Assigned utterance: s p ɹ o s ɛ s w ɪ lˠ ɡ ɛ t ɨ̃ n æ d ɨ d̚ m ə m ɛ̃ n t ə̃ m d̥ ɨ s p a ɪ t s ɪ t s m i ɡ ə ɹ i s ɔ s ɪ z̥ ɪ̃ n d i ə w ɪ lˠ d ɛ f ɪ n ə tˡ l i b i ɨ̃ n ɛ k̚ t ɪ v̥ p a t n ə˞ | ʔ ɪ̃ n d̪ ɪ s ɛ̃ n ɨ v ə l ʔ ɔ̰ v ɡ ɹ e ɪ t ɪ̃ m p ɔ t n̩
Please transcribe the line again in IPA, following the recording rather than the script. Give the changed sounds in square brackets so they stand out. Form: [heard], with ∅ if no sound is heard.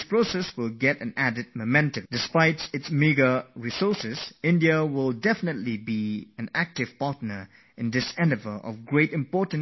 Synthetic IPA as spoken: s p ɹ o s ɛ s w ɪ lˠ ɡ ɛ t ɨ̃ n æ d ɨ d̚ m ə m ɛ̃ n t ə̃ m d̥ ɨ s p a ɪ t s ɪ t s m i ɡ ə ɹ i s ɔ s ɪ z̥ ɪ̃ n d i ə w ɪ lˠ d ɛ f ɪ n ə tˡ l i b i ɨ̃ n [æ] k̚ t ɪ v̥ p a t n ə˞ | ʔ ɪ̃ n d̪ ɪ s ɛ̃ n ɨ v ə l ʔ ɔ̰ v ɡ ɹ e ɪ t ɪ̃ m p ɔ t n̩